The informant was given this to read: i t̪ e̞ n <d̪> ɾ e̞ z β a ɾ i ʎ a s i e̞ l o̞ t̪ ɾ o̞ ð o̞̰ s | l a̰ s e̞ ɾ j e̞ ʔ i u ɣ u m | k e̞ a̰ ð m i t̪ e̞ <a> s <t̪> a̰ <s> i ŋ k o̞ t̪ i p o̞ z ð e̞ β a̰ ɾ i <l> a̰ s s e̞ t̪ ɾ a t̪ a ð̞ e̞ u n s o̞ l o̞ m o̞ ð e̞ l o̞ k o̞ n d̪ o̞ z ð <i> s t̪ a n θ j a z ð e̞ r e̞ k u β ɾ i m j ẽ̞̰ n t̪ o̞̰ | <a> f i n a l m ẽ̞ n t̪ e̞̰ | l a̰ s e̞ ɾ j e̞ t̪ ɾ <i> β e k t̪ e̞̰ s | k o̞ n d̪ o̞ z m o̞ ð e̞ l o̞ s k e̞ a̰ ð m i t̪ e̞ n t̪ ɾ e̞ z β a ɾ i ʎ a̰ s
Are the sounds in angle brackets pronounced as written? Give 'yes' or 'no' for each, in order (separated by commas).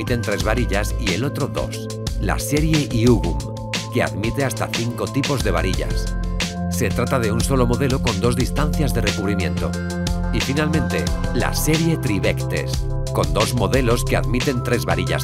no, yes, yes, no, no, yes, no, yes